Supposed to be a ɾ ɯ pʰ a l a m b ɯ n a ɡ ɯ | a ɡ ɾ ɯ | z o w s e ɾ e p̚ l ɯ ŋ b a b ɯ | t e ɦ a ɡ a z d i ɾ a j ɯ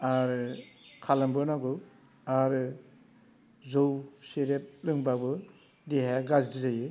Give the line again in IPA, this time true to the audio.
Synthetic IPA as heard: a ɾ ɯ kʰ a l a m b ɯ n a ɡ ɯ | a ɾ ɯ | z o w s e ɾ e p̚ l ɯ ŋ b a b ɯ | d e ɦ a ɡ a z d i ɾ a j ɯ